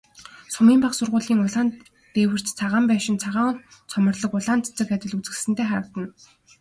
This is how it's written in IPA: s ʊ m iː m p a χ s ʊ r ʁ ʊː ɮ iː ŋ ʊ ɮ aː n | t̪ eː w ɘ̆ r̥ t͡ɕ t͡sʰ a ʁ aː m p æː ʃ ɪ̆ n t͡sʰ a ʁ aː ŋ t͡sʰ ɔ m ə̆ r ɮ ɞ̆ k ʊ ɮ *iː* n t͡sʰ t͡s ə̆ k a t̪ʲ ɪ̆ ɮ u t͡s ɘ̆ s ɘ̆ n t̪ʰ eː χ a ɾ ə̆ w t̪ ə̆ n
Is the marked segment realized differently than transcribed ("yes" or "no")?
yes